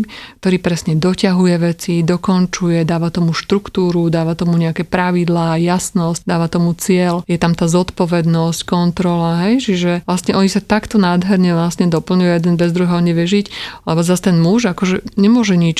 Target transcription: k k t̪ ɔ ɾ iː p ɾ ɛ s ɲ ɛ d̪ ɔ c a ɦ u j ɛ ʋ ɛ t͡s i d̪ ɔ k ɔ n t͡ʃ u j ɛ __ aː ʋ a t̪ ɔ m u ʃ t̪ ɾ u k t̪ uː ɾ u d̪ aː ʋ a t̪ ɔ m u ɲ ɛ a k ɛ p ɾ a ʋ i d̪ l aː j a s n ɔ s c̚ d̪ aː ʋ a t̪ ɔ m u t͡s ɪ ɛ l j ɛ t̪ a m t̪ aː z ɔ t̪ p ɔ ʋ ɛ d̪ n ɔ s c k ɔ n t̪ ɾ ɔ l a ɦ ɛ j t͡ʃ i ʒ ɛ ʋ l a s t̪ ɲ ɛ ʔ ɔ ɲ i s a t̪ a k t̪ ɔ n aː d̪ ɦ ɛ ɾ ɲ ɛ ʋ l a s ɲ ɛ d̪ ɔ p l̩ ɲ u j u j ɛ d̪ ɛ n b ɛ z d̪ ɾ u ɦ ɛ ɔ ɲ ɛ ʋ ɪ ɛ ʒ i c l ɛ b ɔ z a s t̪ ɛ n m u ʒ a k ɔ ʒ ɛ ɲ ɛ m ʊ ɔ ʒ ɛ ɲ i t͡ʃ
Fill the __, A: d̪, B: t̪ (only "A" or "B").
A